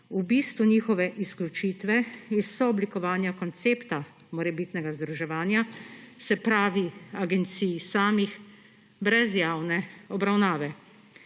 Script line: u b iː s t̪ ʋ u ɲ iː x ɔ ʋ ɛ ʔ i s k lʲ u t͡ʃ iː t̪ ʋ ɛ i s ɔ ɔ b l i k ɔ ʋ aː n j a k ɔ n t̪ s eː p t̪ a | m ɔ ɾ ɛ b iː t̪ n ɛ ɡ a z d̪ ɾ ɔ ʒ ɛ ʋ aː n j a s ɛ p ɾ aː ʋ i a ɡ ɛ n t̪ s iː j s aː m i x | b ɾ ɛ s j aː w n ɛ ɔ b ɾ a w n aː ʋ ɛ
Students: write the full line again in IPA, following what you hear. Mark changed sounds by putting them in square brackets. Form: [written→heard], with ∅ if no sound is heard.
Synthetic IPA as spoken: u b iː s t̪ ʋ u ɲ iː x ɔ ʋ ɛ ʔ i s k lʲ u t͡ʃ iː t̪ ʋ ɛ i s ɔ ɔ b l i k ɔ ʋ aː n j a k ɔ n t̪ s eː p t̪ a | m ɔ ɾ ɛ b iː t̪ n ɛ ɡ a z d̪ ɾ [ɔ→u] ʒ ɛ ʋ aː n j a s ɛ p ɾ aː ʋ i a ɡ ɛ n t̪ s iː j s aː m i x | b ɾ ɛ [s→z] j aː w n ɛ ɔ b ɾ a w n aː ʋ ɛ